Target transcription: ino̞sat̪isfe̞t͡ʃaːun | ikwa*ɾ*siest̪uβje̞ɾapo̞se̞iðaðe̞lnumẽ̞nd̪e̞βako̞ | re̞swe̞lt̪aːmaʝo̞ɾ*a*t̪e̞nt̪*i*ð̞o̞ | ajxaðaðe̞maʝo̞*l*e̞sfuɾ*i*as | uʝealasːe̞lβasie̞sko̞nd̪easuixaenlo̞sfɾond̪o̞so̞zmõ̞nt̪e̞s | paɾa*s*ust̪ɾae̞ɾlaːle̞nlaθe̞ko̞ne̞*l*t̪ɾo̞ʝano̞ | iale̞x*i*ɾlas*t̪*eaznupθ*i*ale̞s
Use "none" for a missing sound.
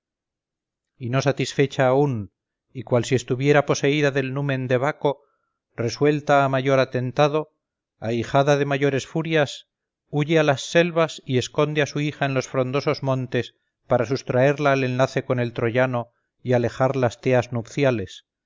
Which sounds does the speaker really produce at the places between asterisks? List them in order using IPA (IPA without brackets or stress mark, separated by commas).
l, a, a, ɾ, j, s, l, a, t̪, j